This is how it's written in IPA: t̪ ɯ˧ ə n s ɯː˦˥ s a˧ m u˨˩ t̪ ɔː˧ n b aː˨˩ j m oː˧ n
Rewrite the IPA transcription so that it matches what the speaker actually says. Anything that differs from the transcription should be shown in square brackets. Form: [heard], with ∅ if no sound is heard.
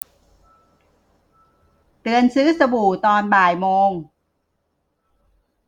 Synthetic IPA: t̪ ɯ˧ ə n s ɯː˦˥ s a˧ [b] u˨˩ t̪ ɔː˧ n b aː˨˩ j m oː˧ [ŋ]